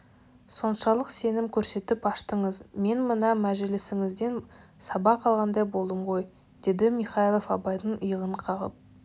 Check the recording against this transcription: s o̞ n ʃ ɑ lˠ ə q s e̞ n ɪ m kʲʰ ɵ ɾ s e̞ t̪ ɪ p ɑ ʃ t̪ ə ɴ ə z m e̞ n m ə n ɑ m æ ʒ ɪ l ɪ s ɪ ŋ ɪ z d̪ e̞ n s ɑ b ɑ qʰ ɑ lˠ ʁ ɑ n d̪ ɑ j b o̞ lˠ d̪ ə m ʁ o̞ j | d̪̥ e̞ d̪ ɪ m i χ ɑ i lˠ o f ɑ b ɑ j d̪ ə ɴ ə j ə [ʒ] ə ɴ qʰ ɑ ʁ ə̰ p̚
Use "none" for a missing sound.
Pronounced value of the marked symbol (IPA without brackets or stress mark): ʁ